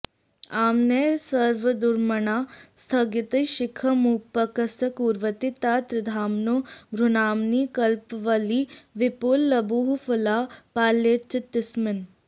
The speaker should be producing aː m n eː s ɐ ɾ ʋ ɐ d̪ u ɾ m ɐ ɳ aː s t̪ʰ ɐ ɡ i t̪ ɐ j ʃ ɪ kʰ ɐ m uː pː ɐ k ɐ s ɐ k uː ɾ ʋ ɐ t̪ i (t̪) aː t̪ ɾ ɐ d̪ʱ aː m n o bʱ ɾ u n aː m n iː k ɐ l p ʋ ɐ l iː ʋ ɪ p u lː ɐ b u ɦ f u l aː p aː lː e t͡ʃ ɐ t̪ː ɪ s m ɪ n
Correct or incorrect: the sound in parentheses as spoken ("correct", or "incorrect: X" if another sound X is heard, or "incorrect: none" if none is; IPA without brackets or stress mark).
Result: correct